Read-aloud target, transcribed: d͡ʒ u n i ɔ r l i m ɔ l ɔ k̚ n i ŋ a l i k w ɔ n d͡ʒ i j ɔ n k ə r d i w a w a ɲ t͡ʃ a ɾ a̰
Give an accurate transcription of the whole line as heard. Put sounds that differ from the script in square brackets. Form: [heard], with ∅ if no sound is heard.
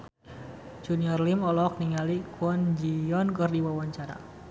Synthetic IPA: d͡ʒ u n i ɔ r l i m ɔ l ɔ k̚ n i ŋ a l i k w ɔ n d͡ʒ i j ɔ n k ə r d i w a w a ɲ t͡ʃ a ɾ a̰